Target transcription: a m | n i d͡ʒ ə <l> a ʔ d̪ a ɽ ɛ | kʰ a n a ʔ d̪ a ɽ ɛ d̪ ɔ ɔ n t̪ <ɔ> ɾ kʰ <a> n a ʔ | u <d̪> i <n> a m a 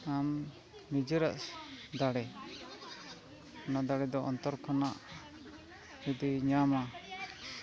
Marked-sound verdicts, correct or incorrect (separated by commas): incorrect, correct, correct, correct, incorrect